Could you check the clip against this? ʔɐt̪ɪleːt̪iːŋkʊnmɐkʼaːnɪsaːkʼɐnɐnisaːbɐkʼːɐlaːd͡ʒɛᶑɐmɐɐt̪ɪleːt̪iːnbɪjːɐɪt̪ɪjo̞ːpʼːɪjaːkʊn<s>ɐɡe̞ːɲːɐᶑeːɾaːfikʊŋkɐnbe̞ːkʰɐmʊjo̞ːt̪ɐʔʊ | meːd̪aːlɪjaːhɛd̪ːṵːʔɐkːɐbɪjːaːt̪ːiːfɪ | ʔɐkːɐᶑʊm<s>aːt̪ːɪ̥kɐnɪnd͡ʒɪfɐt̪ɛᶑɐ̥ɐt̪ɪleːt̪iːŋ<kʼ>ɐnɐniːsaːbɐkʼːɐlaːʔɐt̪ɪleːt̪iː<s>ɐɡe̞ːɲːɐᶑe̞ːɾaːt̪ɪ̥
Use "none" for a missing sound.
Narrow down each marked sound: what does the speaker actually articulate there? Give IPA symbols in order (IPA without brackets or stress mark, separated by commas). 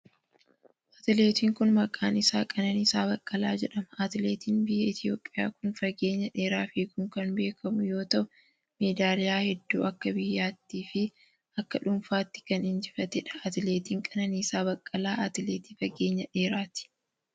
f, f, kʼ, f